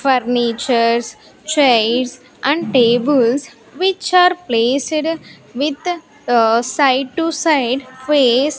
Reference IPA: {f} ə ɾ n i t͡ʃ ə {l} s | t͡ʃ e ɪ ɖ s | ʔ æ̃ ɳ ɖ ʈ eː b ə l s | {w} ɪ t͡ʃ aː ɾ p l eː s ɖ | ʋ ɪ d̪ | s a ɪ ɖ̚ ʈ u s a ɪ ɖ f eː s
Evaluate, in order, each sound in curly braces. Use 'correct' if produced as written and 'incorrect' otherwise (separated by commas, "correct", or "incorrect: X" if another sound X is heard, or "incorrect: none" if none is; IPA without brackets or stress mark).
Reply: correct, incorrect: ɾ, incorrect: ʋ